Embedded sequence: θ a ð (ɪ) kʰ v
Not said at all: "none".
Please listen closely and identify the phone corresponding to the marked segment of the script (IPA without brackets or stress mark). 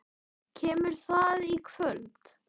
i